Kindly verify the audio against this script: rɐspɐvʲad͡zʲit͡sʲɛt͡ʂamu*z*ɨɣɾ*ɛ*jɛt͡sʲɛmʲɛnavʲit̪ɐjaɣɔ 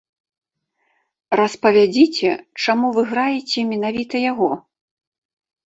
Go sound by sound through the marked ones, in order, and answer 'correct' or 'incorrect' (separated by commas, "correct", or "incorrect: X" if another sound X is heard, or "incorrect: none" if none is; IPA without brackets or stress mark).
incorrect: v, incorrect: a